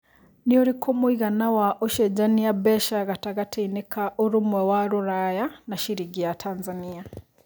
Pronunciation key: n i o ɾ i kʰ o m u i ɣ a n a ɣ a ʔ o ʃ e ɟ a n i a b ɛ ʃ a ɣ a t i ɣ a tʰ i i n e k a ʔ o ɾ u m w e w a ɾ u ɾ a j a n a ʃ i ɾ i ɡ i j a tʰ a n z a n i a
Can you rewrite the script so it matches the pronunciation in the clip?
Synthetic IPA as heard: n i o ɾ i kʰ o m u i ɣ a n a w a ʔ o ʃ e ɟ a n i a b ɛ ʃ a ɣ a t a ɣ a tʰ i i n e k a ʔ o ɾ u m w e w a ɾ u ɾ a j a n a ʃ i ɾ i ɡ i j a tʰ a n z a n i a